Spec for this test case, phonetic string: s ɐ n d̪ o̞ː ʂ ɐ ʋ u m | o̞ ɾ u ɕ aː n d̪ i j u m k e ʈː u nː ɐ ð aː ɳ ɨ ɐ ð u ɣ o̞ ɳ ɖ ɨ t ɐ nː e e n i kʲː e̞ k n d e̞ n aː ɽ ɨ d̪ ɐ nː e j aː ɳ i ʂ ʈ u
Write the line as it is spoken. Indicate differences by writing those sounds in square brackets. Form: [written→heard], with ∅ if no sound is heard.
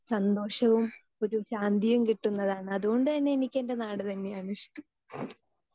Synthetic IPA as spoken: s ɐ n d̪ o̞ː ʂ ɐ ʋ u m | o̞ ɾ u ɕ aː n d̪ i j u m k [e→i] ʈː u nː ɐ ð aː ɳ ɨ ɐ ð u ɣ o̞ ɳ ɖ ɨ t ɐ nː e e n i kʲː e̞ [k→∅] n d e̞ n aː ɽ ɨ [d̪→t̪] ɐ nː e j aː ɳ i ʂ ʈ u